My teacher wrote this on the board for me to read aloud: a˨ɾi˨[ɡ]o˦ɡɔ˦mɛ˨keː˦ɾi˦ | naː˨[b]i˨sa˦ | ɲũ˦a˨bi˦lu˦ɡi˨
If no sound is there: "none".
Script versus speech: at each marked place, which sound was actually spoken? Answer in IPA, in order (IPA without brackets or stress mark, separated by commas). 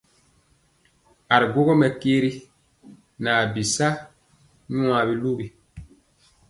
ɡ, b